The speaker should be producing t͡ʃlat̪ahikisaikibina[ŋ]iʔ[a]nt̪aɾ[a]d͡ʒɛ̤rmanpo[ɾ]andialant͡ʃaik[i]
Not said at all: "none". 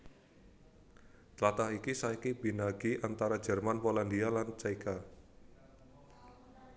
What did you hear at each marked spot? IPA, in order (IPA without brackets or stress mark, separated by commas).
ɡ, a, a, l, a